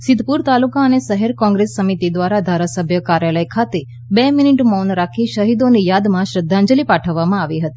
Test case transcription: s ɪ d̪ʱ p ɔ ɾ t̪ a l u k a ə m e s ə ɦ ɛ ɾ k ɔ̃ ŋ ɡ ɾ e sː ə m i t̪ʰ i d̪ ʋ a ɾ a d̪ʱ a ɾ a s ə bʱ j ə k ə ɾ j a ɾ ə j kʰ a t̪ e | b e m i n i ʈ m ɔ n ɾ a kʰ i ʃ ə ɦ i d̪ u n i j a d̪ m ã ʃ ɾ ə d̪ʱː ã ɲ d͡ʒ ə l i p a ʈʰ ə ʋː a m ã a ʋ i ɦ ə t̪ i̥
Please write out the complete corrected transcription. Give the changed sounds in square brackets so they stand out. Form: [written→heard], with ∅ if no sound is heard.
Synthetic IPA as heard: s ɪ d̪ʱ p [ɔ→u] ɾ t̪ a l u k a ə [m→n] e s ə ɦ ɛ ɾ k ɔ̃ ŋ ɡ ɾ e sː ə m i [t̪ʰ→t̪] i d̪ ʋ a ɾ a d̪ʱ a ɾ a s ə bʱ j ə k [ə→a] ɾ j a [ɾ→l] ə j kʰ a t̪ e | b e m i n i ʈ m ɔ n ɾ a kʰ i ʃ ə ɦ i d̪ [u→o] n i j a d̪ m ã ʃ ɾ ə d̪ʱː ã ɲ d͡ʒ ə l i p a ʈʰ ə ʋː a m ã a ʋ i ɦ ə t̪ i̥